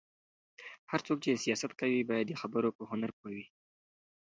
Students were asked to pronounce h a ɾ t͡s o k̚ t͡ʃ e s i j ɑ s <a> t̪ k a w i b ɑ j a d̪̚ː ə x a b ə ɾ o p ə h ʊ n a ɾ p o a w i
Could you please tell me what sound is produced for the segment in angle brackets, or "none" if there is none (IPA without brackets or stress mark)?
a